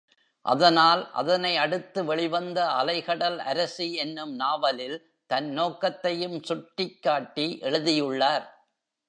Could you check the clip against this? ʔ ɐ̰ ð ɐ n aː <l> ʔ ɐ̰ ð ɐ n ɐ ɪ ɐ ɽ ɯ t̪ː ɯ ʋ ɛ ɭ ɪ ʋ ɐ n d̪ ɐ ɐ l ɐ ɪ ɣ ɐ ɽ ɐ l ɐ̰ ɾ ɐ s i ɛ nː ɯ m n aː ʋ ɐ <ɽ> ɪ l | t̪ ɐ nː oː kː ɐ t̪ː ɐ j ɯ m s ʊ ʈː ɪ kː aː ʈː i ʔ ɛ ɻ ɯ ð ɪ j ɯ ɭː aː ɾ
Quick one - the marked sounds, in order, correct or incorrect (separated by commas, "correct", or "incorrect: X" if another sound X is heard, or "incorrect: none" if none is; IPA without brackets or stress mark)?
correct, incorrect: l